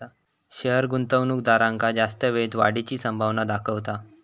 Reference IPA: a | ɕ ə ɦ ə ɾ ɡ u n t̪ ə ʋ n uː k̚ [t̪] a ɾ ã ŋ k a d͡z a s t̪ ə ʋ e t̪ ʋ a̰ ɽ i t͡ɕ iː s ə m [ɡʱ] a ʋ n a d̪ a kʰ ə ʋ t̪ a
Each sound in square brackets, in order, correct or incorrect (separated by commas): incorrect, incorrect